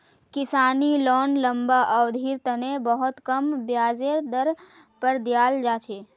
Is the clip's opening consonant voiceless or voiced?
voiceless